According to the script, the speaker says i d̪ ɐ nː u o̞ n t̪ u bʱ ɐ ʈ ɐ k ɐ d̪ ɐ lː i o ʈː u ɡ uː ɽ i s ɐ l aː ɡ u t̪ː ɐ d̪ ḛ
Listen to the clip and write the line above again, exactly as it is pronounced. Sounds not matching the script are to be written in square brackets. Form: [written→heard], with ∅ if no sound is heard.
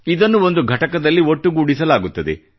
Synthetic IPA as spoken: i d̪ ɐ nː u o̞ n [t̪→d̪] u [bʱ→ɡʱ] ɐ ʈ ɐ k ɐ d̪ ɐ lː i o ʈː u ɡ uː ɽ i s ɐ l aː ɡ u t̪ː ɐ d̪ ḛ

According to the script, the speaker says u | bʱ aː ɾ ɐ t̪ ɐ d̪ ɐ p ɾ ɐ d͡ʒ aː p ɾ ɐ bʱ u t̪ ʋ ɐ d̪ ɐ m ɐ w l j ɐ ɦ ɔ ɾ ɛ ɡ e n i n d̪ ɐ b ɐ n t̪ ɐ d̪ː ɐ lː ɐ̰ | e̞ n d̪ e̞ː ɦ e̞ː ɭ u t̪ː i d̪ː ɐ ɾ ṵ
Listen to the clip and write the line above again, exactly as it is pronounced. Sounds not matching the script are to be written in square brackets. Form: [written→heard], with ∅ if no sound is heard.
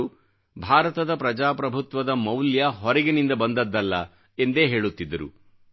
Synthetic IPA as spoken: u | bʱ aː ɾ ɐ t̪ ɐ d̪ ɐ p ɾ ɐ d͡ʒ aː p ɾ ɐ bʱ u t̪ ʋ ɐ d̪ ɐ m ɐ w l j ɐ ɦ ɔ ɾ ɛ ɡ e n i n d̪ ɐ b ɐ n [t̪→d̪] ɐ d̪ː ɐ lː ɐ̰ | e̞ n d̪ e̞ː ɦ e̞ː ɭ u t̪ː i d̪ː ɐ ɾ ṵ

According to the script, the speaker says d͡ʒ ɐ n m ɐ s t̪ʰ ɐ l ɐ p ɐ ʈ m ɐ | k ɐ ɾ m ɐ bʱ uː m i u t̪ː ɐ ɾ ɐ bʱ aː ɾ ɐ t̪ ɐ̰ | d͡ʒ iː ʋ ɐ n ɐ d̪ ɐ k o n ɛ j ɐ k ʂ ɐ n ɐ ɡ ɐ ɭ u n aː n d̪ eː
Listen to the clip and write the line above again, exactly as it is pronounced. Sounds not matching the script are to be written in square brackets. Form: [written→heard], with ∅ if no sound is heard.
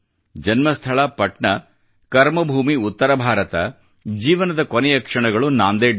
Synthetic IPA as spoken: d͡ʒ ɐ n m ɐ s t̪ʰ ɐ [l→ɭ] ɐ p ɐ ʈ [m→ɳ] ɐ | k ɐ ɾ m ɐ bʱ uː m i u t̪ː ɐ ɾ ɐ bʱ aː ɾ ɐ t̪ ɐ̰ | d͡ʒ iː ʋ ɐ n ɐ d̪ ɐ k o n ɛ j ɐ k ʂ ɐ [n→ɳ] ɐ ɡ ɐ ɭ u n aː n d̪ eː

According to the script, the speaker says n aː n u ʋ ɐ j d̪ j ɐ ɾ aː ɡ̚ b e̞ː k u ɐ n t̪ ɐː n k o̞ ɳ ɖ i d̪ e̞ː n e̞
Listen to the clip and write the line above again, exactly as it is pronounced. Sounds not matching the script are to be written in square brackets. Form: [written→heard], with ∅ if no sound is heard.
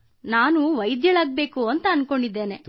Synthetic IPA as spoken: n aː n u ʋ ɐ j d̪ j ɐ [ɾ→ɭ] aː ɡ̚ b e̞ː k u ɐ n t̪ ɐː n k o̞ ɳ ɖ i [d̪→d̪ː] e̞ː n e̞

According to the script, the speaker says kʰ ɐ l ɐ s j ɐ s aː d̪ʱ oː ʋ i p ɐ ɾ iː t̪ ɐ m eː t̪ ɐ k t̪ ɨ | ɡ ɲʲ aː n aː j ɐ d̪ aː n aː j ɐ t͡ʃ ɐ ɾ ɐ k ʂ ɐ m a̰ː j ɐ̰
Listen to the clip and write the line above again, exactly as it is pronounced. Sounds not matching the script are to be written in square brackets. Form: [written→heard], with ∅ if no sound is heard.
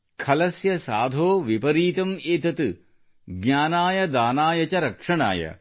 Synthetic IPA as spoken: kʰ ɐ l ɐ s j ɐ s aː d̪ʱ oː ʋ i p ɐ ɾ iː t̪ ɐ m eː t̪ ɐ [k→∅] t̪ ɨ | ɡ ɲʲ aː n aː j ɐ d̪ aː n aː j ɐ t͡ʃ ɐ ɾ ɐ k ʂ ɐ [m→ɳ] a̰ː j ɐ̰

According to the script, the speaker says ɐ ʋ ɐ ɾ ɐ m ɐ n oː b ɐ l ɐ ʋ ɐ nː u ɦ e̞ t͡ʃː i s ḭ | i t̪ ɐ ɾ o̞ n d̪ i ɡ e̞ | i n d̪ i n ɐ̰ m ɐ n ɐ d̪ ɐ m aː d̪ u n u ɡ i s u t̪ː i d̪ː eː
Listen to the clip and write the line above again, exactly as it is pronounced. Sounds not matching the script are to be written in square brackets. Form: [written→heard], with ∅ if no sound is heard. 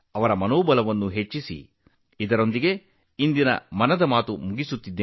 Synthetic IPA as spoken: ɐ ʋ ɐ ɾ ɐ m ɐ n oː b ɐ l ɐ ʋ ɐ nː u ɦ e̞ t͡ʃː i s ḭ | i [t̪→d̪] ɐ ɾ o̞ n d̪ i ɡ e̞ | i n d̪ i n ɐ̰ m ɐ n ɐ d̪ ɐ m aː [d̪→t̪] u [n→m] u ɡ i s u t̪ː i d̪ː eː

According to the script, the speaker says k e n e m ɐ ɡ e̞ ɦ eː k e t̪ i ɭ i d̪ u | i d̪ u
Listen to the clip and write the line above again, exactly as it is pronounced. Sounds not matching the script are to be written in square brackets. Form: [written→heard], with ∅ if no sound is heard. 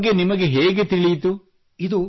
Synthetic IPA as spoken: [k→ɡ] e n [e→i] m ɐ ɡ e̞ ɦ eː [k→ɡ] e t̪ i ɭ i [d̪→t̪] u | i d̪ u

